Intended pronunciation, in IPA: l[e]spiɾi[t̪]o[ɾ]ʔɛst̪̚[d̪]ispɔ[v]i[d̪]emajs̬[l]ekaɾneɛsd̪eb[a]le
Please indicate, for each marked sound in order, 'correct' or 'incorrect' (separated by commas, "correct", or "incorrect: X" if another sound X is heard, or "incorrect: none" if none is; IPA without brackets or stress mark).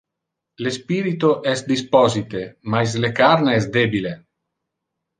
correct, correct, incorrect: none, correct, incorrect: z, incorrect: t̪, correct, incorrect: i